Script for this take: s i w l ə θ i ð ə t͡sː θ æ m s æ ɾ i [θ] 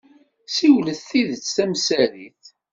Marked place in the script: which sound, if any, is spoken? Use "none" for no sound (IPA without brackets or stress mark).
θ